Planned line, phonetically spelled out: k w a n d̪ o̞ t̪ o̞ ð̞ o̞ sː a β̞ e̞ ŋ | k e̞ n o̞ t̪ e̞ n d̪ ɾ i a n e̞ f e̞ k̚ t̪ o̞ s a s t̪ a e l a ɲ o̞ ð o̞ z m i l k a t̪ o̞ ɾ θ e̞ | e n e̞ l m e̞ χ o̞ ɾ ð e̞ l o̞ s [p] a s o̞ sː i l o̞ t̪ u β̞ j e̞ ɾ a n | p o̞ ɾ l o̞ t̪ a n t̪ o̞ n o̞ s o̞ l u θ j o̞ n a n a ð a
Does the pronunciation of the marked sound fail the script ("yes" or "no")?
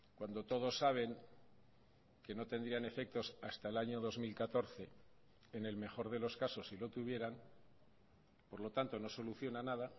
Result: yes